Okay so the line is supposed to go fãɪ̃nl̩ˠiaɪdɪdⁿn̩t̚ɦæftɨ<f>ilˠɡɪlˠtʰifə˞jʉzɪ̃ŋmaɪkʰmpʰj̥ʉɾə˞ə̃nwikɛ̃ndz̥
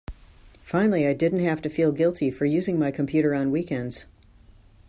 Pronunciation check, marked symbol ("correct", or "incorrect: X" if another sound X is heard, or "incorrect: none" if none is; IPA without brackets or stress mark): correct